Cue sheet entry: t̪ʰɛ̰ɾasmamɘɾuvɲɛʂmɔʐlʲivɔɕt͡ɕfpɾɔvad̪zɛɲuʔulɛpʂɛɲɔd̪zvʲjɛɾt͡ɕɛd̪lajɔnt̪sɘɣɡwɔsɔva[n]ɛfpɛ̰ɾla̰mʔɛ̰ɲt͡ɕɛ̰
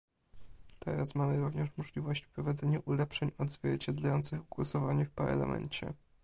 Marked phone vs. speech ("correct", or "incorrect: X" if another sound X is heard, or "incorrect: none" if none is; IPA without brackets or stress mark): incorrect: ɲ